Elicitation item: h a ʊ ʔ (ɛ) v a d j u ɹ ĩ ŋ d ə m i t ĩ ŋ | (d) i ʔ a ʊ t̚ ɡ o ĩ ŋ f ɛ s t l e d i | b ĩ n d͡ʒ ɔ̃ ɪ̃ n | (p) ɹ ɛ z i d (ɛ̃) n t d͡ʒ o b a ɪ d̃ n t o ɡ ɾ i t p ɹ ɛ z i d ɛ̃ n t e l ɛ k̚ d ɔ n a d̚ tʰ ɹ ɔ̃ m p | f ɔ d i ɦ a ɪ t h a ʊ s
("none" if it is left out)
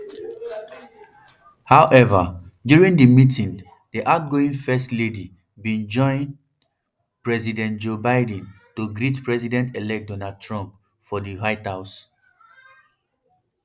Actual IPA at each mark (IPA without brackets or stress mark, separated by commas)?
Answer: ɛ, d, p, ɛ̃